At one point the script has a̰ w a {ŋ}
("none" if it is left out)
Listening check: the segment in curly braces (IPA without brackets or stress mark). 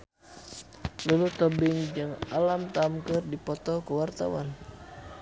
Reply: n